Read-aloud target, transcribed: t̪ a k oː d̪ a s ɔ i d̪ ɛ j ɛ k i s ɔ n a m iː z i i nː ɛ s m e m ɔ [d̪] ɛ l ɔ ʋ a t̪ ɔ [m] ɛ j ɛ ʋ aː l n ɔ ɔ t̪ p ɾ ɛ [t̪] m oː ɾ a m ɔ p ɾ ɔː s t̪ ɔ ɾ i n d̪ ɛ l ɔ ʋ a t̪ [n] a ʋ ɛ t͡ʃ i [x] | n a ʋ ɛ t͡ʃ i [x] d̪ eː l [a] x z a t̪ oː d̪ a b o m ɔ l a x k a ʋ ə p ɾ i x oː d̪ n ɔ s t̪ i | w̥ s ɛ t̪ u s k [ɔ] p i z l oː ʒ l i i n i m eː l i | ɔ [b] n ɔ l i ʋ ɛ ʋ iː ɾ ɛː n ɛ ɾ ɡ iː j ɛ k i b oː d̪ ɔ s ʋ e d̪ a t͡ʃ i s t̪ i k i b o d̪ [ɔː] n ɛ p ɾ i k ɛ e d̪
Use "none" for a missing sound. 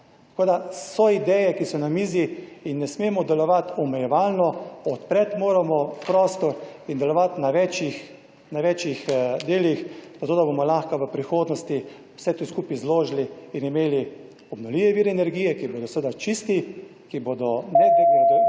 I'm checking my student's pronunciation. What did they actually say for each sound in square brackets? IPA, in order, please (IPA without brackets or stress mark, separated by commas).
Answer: d̪, m, t̪, n, x, x, i, u, b, ɔ